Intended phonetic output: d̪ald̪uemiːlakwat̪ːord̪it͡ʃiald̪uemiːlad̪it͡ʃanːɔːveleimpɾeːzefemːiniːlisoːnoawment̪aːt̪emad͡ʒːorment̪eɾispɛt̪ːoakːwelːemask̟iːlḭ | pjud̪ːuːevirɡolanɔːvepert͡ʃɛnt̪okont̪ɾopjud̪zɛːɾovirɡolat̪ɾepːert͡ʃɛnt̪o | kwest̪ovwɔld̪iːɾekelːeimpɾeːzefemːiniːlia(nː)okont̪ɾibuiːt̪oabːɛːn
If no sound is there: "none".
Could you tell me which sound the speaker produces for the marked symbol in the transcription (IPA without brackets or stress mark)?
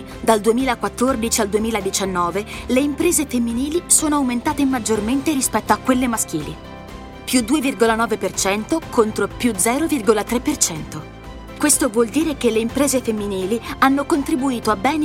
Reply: nː